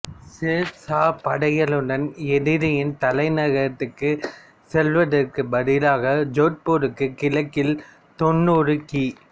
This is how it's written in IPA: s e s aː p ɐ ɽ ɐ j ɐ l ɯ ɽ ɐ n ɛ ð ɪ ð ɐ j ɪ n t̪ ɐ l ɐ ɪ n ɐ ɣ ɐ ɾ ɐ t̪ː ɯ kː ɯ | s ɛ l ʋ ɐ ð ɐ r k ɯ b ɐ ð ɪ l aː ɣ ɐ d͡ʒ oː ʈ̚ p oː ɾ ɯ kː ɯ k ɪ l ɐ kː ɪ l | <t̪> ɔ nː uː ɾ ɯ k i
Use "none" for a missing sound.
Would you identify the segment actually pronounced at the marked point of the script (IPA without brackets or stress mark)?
t̪